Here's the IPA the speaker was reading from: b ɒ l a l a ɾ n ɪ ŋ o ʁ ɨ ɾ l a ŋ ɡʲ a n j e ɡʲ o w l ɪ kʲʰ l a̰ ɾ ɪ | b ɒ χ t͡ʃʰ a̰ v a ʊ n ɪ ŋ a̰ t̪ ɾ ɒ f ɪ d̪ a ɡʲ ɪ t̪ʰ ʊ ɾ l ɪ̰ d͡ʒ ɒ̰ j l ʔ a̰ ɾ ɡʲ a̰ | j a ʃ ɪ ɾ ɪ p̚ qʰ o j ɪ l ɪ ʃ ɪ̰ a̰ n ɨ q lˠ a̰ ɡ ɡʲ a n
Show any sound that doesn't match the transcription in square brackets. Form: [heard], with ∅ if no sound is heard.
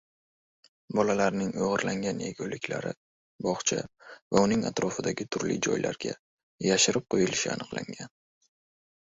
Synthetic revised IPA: b ɒ l a l a ɾ n ɪ ŋ o ʁ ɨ ɾ l a ŋ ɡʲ a n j e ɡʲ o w l ɪ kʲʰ l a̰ ɾ ɪ | b ɒ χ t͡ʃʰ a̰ v a ʊ n ɪ ŋ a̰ t̪ ɾ ɒ f ɪ d̪ a ɡʲ ɪ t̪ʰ ʊ ɾ l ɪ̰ d͡ʒ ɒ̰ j l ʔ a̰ ɾ ɡʲ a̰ | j a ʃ ɪ ɾ ɪ p̚ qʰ o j ɪ l ɪ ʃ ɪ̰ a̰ n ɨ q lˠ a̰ [ŋ] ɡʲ a n